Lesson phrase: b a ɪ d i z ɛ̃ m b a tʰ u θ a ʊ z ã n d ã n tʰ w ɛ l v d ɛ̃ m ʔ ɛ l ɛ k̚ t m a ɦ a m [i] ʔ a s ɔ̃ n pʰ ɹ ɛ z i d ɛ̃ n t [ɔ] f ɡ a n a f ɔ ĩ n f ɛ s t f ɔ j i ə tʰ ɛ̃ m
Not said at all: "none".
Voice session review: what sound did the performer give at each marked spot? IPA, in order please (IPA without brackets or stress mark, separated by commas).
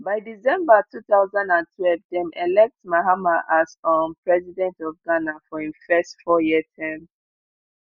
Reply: a, ɔ